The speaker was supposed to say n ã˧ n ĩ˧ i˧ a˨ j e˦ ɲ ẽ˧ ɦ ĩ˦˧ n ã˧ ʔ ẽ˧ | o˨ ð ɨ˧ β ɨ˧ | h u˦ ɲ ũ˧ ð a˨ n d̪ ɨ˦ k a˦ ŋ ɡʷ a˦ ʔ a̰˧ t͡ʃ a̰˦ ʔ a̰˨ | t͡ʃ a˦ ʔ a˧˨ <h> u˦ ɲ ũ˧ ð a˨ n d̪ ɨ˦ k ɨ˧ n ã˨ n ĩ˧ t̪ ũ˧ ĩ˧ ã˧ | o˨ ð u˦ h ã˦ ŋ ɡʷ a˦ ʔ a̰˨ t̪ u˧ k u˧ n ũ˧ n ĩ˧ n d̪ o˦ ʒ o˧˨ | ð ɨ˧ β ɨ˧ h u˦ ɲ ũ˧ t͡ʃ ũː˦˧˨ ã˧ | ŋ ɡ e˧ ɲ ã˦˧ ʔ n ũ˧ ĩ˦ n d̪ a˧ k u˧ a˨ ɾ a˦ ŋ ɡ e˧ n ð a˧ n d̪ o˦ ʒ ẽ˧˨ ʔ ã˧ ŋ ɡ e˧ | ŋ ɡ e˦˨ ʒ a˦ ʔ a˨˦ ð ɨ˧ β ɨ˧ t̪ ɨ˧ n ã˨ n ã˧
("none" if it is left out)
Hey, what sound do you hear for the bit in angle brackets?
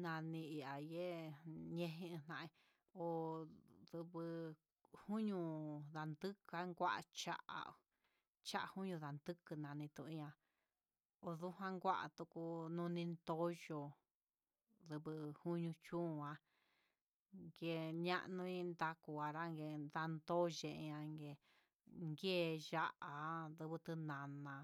h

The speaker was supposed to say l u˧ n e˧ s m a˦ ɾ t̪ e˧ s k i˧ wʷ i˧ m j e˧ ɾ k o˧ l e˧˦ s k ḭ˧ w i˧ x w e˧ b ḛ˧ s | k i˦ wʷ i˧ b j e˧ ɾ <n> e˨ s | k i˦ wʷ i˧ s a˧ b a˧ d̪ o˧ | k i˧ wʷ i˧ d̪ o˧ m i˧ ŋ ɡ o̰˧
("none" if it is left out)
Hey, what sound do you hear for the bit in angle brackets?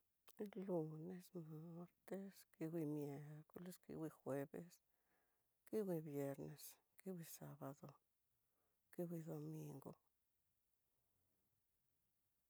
n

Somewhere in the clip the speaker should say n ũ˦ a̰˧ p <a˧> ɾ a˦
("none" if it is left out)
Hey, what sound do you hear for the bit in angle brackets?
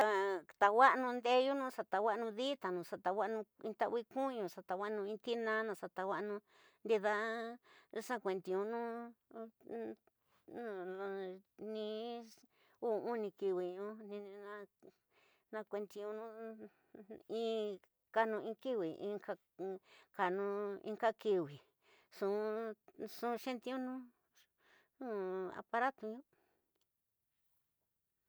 a˧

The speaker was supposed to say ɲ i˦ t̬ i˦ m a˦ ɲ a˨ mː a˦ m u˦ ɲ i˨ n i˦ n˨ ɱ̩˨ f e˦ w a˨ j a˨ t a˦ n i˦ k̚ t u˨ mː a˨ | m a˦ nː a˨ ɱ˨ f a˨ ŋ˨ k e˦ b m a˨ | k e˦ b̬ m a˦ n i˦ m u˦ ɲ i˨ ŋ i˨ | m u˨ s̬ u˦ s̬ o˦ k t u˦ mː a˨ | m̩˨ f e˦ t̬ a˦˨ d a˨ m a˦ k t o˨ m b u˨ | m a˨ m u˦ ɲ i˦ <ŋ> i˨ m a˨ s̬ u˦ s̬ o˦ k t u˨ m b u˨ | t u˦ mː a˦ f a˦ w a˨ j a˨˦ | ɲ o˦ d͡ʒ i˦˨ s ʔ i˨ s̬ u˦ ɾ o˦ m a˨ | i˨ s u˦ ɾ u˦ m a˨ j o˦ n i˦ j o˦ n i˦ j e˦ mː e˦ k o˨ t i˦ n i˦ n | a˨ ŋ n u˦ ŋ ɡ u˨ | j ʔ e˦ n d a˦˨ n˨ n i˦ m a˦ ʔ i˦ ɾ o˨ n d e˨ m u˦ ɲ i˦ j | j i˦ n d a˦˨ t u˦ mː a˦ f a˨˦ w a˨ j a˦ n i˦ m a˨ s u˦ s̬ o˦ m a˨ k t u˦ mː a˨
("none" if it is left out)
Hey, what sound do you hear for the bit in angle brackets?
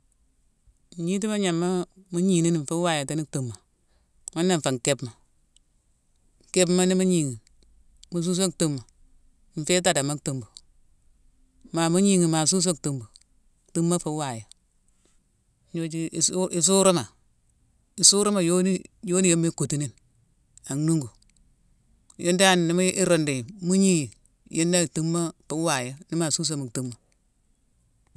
ŋ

